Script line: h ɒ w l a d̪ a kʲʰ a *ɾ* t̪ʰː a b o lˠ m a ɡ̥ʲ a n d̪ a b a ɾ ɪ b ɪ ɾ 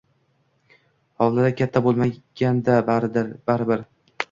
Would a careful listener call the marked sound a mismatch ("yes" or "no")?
yes